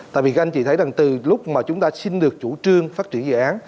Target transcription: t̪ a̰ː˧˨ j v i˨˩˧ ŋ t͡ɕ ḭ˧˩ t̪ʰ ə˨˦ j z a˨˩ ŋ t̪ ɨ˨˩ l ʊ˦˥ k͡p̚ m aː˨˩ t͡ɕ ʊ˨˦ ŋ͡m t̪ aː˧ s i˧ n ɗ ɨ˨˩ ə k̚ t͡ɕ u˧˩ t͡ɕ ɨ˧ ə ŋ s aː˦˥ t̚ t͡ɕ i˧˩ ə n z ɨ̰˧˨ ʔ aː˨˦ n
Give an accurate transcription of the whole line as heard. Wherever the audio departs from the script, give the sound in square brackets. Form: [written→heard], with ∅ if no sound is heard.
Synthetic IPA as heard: t̪ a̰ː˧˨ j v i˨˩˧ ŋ t͡ɕ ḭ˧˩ t̪ʰ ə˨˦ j z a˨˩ ŋ t̪ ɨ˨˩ l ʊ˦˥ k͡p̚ m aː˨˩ t͡ɕ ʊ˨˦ ŋ͡m t̪ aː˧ s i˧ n ɗ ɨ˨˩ ə k̚ t͡ɕ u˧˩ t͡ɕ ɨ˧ ə ŋ [s→f] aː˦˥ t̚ t͡ɕ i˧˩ ə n z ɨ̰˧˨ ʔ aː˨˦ n